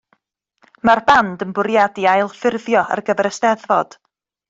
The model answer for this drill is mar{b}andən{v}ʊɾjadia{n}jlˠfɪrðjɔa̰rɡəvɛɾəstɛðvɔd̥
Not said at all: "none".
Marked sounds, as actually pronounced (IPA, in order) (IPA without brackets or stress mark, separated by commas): b, b, none